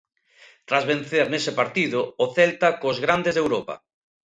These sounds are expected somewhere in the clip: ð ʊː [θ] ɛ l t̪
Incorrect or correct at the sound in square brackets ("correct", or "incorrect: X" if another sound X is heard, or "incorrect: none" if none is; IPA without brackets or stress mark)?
correct